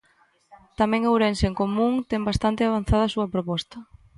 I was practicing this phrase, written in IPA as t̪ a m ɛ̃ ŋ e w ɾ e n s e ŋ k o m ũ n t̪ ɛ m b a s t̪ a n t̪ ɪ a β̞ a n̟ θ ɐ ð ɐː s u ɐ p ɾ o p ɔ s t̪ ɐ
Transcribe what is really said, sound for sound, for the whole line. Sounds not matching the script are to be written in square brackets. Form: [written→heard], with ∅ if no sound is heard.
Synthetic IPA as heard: t̪ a m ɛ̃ ŋ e w ɾ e n s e ŋ k o m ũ [n→ŋ] t̪ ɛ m b a s t̪ a n t̪ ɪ a β̞ a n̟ θ [ɐ→a] ð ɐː s u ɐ p ɾ o p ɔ s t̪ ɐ